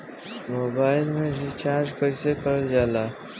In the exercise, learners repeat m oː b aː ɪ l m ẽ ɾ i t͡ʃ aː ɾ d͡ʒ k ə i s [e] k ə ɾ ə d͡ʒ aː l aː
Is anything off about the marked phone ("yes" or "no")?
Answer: no